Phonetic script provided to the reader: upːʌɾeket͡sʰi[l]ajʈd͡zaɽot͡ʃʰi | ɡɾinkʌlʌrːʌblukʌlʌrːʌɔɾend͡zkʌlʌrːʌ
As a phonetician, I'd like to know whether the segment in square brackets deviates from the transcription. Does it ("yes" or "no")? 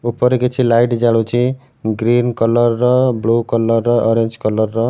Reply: no